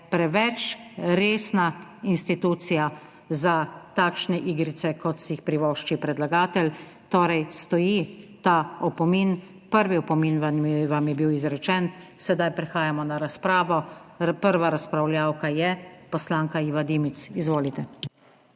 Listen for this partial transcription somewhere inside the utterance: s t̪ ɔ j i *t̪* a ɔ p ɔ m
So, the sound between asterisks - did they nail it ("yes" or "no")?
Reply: yes